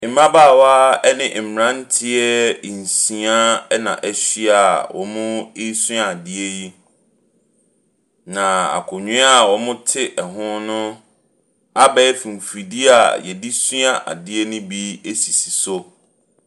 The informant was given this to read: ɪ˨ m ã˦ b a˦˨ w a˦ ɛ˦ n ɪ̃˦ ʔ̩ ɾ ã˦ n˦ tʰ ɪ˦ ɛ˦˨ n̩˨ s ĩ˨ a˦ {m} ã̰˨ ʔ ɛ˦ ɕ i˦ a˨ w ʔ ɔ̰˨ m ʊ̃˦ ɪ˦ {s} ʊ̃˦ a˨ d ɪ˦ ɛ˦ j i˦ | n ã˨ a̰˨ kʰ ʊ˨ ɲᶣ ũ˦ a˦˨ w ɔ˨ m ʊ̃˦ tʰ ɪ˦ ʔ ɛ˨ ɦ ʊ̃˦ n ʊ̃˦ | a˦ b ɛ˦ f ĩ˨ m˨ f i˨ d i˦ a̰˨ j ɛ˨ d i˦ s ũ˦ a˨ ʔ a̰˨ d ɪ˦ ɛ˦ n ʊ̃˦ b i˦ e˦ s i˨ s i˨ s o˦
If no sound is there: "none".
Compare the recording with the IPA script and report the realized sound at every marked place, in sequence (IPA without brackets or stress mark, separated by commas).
n, s